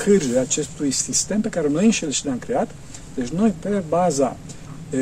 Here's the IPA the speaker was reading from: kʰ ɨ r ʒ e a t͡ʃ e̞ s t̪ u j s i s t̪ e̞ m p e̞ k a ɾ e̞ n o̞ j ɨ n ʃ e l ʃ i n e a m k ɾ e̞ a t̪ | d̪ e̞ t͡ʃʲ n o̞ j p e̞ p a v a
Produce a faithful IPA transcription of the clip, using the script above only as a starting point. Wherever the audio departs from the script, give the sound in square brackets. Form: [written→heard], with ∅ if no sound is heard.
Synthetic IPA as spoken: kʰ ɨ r ʒ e a t͡ʃ e̞ s t̪ u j s i s t̪ e̞ m p e̞ k a ɾ e̞ n o̞ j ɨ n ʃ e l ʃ i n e a m k ɾ e̞ a t̪ | d̪ e̞ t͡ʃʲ n o̞ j p e̞ [p→b] a [v→z] a